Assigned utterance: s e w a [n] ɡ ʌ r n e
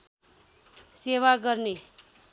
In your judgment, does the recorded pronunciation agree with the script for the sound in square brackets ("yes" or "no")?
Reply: no